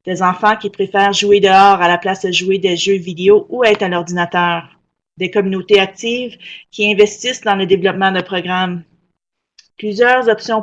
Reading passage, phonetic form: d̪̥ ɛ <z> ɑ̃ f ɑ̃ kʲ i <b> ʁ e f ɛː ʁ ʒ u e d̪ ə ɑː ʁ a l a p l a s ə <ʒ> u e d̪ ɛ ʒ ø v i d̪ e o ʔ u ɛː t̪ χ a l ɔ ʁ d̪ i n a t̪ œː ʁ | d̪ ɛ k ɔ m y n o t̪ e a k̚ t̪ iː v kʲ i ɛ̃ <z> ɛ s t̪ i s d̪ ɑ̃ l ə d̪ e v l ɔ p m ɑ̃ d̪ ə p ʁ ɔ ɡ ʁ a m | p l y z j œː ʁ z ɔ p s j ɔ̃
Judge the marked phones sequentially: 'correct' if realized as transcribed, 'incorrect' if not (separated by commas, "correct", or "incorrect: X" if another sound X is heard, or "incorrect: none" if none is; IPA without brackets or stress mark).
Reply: correct, incorrect: p, correct, incorrect: v